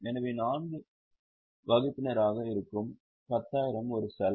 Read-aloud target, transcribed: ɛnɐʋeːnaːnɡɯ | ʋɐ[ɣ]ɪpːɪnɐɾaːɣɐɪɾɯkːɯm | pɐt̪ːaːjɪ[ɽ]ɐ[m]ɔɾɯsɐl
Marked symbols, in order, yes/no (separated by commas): yes, no, yes